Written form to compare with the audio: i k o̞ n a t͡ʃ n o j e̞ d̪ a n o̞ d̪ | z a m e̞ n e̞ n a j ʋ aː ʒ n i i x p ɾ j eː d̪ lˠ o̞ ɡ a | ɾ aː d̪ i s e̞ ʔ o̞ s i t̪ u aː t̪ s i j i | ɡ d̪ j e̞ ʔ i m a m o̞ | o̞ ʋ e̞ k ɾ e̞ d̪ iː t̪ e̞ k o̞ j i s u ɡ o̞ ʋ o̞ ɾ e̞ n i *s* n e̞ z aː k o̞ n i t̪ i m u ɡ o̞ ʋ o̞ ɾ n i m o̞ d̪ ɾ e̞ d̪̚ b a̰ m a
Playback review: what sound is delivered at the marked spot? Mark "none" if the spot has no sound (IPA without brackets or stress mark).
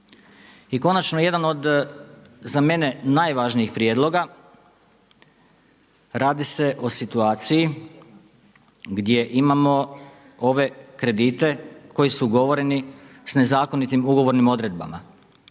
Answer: s